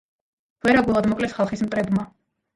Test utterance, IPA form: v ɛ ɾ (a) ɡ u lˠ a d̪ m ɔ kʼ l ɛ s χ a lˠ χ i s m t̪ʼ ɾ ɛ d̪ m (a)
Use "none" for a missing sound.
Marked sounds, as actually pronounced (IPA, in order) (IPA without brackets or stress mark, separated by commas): a, a